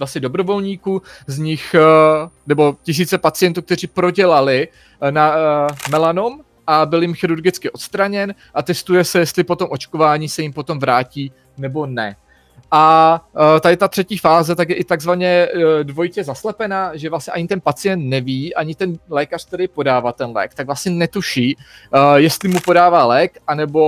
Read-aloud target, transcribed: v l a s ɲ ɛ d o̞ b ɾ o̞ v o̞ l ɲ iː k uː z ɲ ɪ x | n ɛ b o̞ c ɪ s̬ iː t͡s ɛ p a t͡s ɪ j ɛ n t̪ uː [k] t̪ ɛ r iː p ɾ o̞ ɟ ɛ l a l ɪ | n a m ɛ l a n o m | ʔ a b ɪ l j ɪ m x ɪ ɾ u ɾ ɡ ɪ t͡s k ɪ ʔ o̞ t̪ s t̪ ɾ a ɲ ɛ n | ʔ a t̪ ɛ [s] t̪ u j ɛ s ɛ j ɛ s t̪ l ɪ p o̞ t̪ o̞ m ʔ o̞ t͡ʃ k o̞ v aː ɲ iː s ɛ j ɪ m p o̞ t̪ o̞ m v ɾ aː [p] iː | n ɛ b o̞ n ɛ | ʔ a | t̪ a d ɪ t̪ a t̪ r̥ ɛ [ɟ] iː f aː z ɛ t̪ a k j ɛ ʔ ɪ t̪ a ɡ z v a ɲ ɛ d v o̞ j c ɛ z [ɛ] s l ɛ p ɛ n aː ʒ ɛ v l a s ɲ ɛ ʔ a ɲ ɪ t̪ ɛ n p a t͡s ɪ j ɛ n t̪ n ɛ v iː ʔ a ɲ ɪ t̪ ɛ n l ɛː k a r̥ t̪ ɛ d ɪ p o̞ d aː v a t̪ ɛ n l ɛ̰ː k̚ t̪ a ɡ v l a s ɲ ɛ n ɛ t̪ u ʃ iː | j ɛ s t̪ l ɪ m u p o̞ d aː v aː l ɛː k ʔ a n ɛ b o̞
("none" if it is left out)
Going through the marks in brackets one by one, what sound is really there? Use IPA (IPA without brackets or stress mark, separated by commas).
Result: k, s, c, c, a